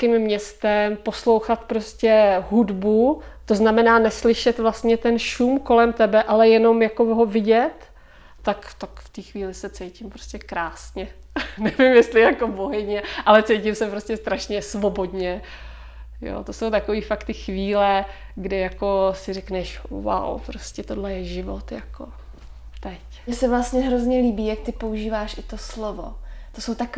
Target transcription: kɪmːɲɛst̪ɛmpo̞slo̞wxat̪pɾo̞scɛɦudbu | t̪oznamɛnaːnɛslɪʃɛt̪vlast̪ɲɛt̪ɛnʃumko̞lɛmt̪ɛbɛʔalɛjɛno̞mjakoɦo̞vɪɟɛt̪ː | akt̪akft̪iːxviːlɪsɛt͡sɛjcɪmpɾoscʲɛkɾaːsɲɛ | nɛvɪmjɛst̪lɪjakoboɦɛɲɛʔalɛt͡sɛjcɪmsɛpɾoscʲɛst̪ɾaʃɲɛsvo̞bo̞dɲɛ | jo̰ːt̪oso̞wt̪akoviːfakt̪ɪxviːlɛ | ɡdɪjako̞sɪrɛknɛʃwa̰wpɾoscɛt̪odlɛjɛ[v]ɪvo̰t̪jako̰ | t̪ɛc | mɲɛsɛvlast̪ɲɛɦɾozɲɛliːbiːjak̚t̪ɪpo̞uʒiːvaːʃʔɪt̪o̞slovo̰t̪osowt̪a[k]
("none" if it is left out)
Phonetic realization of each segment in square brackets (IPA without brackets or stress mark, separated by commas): ʒ, k